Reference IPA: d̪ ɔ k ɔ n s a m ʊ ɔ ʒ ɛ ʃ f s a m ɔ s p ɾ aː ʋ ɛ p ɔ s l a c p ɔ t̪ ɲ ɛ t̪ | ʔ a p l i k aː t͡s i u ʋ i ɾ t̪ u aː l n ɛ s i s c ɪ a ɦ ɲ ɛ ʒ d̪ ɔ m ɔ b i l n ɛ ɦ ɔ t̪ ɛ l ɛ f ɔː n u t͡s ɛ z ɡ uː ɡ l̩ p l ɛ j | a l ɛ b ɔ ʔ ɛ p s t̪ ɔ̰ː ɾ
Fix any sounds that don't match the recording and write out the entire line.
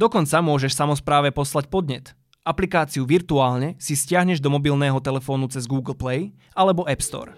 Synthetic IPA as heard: d̪ ɔ k ɔ n t͡s a m ʊ ɔ ʒ ɛ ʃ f s a m ɔ s p ɾ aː ʋ ɛ p ɔ s l a c p ɔ d̪ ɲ ɛ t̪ | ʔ a p l i k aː t͡s i u ʋ i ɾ t̪ u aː l ɲ ɛ s i s c ɪ a ɦ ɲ ɛ ʒ d̪ ɔ m ɔ b i l n ɛː ɦ ɔ t̪ ɛ l ɛ f ɔː n u t͡s ɛ z ɡ uː ɡ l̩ p l ɛ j | a l ɛ b ɔ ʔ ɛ p s t̪ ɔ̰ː ɾ